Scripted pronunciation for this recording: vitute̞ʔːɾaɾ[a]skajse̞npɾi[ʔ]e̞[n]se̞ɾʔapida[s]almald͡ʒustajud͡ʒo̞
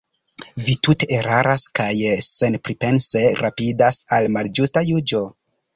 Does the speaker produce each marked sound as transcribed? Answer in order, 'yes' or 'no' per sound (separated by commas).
yes, no, yes, yes